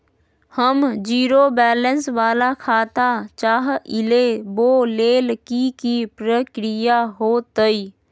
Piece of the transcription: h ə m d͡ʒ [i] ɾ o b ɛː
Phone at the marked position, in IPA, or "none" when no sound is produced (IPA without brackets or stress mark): iː